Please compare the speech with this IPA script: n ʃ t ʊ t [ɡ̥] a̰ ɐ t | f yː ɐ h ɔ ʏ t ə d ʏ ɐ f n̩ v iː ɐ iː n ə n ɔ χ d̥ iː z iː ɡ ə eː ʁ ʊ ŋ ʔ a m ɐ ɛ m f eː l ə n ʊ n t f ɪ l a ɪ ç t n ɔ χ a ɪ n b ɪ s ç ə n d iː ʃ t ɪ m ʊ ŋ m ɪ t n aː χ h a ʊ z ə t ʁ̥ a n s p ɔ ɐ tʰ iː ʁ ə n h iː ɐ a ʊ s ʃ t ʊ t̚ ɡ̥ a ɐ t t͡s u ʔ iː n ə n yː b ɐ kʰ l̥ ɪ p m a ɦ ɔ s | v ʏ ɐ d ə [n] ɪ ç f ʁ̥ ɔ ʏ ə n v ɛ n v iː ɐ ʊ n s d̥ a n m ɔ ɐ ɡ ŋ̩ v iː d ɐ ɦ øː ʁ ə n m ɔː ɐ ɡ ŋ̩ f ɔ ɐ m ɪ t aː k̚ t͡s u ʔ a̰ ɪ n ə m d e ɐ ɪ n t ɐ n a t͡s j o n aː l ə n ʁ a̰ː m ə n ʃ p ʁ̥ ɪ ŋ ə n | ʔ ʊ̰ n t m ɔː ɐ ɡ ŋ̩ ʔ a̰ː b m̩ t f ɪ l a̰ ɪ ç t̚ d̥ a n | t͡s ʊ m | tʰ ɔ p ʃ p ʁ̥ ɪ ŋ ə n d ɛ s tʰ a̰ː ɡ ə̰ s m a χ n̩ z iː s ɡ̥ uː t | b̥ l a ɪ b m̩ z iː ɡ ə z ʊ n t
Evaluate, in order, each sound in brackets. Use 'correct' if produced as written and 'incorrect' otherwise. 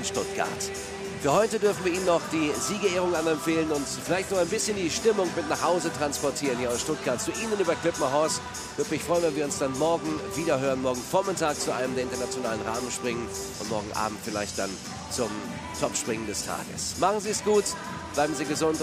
correct, incorrect: m

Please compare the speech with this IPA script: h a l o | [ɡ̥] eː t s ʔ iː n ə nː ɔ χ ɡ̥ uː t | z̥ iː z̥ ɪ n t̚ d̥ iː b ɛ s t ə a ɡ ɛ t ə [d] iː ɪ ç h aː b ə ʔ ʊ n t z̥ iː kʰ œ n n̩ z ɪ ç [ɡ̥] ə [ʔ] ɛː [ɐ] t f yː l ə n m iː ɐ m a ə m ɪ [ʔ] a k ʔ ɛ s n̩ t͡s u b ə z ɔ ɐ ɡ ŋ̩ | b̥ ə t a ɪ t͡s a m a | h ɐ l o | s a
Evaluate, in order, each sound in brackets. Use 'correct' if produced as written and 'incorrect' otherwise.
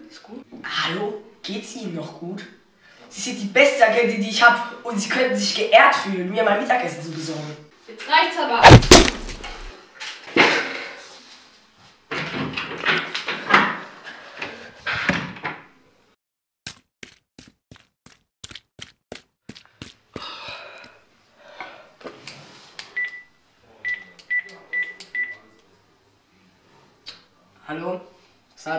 correct, correct, correct, correct, correct, incorrect: t

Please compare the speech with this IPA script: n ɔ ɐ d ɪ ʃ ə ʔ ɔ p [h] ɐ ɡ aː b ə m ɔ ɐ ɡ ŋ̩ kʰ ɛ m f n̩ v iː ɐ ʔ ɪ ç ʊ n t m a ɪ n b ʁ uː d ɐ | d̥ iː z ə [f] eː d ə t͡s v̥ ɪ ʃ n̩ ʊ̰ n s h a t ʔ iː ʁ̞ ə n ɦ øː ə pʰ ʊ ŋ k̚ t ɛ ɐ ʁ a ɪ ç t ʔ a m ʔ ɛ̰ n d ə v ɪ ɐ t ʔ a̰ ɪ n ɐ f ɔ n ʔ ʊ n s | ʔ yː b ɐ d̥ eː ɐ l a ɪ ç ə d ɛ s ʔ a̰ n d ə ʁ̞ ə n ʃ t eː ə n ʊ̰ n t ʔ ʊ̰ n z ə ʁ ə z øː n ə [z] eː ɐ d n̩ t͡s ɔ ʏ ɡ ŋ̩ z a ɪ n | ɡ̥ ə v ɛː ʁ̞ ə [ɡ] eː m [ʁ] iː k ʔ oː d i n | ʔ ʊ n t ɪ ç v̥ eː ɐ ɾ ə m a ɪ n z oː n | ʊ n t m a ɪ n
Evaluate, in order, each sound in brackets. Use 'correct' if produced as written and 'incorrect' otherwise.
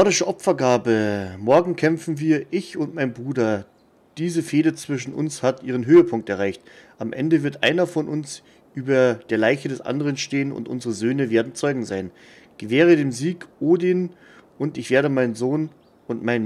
incorrect: f, correct, incorrect: v, incorrect: d, incorrect: z

